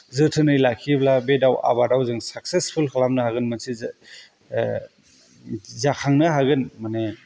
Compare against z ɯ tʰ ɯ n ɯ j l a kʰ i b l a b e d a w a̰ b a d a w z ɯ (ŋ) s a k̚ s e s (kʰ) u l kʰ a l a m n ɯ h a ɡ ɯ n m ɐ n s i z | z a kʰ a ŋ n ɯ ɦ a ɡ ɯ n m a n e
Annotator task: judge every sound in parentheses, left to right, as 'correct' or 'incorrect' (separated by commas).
correct, incorrect